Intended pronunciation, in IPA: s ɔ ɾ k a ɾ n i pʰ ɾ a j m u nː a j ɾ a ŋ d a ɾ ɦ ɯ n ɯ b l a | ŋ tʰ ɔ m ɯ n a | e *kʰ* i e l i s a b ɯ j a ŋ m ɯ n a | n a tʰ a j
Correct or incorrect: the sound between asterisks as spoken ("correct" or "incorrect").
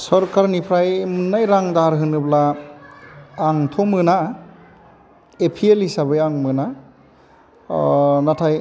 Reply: incorrect